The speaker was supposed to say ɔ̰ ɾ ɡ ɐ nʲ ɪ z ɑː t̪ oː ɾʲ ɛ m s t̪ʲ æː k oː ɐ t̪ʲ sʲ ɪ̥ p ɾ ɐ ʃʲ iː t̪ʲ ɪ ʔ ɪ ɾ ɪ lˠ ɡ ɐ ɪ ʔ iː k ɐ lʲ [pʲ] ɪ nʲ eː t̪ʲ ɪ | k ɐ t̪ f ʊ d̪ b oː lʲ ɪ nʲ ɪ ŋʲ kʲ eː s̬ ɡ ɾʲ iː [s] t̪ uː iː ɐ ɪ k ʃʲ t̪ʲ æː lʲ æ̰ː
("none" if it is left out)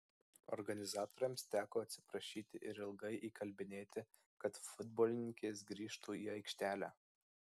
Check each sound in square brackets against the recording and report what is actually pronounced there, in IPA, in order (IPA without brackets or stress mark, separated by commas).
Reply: bʲ, ʃ